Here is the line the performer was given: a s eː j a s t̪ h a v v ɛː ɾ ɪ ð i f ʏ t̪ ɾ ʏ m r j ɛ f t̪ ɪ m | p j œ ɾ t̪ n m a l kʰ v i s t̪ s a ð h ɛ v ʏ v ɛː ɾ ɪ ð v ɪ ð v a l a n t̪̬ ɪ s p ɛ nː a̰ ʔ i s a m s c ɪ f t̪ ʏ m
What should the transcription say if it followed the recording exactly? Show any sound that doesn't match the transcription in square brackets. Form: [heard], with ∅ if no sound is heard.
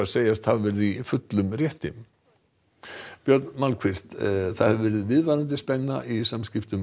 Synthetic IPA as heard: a s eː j a s t̪ h a v v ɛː ɾ ɪ ð i f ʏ t̪ [l] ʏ m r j ɛ [h] t̪ ɪ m | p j œ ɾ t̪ n m a l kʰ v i s t̪ [θ] a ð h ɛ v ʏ v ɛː ɾ ɪ ð v ɪ ð v a [ɾ] a n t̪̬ ɪ s p ɛ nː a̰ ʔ i s a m s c ɪ f t̪ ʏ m